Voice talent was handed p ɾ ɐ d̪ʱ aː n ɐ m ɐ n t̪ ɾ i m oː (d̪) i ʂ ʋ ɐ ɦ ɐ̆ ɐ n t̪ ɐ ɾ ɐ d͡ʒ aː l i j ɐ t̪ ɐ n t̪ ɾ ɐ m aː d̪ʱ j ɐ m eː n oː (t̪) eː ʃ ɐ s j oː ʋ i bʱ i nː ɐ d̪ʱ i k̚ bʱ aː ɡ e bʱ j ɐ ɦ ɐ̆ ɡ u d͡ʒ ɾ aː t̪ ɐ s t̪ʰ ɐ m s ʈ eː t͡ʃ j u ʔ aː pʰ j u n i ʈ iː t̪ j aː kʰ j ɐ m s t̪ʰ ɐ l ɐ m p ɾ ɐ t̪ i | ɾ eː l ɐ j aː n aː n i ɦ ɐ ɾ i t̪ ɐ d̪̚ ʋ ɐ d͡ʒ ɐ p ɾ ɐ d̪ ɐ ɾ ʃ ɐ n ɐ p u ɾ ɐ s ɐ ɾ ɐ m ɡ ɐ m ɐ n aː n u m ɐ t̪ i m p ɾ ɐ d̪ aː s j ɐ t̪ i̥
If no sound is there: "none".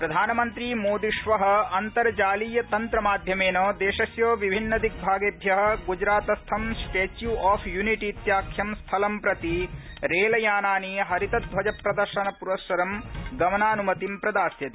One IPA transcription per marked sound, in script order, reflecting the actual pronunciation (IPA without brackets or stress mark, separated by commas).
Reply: d̪, d̪